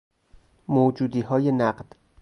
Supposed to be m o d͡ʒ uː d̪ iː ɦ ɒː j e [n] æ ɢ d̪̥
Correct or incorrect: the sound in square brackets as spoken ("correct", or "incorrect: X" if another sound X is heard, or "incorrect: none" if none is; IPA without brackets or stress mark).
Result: correct